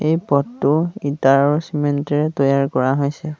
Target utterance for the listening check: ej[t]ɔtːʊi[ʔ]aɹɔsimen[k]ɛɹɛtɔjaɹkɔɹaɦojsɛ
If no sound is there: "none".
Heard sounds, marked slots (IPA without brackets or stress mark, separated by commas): p, t, t